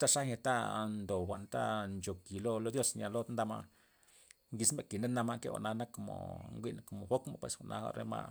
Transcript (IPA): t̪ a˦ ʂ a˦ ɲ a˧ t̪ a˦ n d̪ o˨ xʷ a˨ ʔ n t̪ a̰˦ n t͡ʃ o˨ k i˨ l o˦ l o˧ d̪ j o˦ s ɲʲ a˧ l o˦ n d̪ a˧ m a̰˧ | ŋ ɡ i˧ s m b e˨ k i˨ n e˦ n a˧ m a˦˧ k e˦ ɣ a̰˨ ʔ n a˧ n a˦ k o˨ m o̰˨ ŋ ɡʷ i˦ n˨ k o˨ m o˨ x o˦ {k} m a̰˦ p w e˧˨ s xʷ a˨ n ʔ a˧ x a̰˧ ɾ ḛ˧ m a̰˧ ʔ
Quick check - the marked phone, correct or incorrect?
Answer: correct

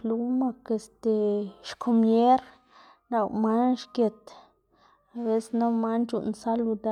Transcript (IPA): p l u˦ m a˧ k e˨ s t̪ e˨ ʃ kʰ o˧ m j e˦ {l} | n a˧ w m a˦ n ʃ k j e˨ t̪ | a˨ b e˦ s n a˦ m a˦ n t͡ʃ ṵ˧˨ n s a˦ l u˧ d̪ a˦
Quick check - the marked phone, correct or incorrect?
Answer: incorrect: ɾ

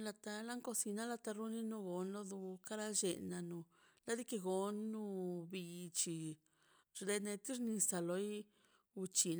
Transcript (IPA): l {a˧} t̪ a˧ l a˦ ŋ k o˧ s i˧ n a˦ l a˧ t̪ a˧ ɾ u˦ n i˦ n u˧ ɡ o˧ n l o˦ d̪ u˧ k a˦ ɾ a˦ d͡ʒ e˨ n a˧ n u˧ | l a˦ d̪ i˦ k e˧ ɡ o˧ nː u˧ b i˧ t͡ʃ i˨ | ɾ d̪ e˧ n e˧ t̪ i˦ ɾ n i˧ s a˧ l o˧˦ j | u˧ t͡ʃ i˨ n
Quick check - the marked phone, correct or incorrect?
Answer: correct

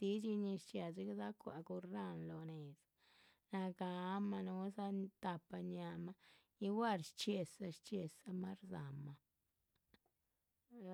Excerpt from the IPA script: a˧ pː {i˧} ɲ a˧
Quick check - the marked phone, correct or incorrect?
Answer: incorrect: a˧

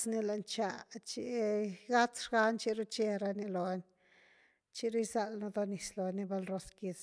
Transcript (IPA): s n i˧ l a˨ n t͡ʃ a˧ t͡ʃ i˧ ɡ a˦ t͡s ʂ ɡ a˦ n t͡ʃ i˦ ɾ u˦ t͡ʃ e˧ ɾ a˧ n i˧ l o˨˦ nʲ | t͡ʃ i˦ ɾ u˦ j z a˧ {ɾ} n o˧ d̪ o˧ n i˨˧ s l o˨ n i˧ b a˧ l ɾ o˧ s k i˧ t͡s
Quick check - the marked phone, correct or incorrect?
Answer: incorrect: l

